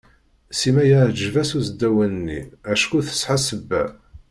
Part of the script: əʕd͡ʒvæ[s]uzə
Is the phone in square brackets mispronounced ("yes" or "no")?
no